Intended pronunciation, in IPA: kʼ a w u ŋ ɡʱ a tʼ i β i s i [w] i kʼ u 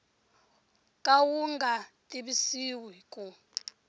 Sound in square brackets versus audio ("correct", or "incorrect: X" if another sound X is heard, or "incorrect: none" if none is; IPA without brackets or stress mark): correct